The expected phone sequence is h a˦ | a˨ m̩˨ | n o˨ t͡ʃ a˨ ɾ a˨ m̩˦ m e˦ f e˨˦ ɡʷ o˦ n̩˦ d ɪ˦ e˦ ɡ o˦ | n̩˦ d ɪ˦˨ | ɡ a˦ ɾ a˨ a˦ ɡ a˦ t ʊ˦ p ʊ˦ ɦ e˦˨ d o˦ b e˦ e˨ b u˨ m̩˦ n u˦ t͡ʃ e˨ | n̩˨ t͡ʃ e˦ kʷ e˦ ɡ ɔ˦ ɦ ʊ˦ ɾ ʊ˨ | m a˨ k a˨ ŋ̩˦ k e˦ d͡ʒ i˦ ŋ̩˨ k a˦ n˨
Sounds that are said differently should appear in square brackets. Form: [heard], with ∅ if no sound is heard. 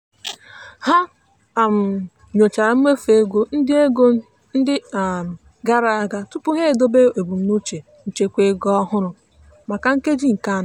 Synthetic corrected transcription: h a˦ | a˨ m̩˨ | [ɲ] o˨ t͡ʃ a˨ ɾ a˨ m̩˦ m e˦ f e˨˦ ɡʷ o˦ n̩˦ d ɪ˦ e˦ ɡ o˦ | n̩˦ d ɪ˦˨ | ɡ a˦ ɾ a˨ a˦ ɡ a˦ t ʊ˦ p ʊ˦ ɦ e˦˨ d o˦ b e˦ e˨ b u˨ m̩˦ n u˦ t͡ʃ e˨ | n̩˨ t͡ʃ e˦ kʷ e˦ ɡ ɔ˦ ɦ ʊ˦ ɾ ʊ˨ | m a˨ k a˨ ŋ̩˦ k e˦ d͡ʒ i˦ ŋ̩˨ k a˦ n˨